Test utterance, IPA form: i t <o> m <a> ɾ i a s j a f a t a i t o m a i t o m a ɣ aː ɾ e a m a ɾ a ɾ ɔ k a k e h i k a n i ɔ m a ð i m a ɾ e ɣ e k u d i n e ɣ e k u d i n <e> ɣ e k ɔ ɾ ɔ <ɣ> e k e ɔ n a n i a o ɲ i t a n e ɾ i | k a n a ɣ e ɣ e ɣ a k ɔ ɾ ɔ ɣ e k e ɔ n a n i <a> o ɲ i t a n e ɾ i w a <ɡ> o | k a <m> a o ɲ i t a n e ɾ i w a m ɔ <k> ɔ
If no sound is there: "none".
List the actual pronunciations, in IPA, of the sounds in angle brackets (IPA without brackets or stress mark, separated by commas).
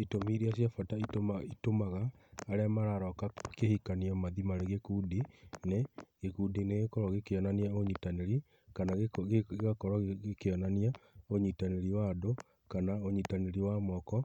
o, i, e, ɣ, a, d, n, k